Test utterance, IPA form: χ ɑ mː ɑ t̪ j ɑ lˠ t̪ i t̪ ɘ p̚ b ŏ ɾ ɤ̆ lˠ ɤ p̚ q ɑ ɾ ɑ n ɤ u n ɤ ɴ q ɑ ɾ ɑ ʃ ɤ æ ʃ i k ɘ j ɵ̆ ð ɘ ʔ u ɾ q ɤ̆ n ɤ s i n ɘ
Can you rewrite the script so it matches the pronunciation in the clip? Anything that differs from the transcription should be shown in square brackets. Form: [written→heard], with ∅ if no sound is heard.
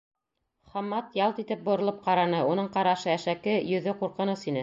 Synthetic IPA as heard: χ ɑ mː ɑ t̪ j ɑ lˠ t̪ i t̪ ɘ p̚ b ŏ ɾ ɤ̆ lˠ ɤ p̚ q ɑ ɾ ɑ n ɤ u n ɤ ɴ q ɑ ɾ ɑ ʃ ɤ æ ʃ [i→æ] k ɘ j ɵ̆ ð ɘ [ʔ→q] u ɾ q ɤ̆ n ɤ s i n ɘ